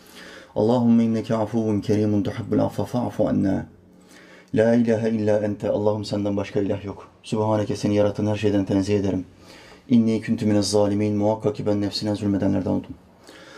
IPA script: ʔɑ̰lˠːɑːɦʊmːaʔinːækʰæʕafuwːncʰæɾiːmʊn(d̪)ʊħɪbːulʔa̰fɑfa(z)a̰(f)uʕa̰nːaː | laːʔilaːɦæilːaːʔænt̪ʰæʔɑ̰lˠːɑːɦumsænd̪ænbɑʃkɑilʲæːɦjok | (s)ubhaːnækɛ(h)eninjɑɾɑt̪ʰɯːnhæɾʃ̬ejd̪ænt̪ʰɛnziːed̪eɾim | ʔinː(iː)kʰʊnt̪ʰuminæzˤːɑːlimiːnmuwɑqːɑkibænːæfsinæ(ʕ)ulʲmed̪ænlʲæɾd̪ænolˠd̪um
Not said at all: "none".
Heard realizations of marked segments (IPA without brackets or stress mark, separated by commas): t̪, ʕ, f, s, s, iː, z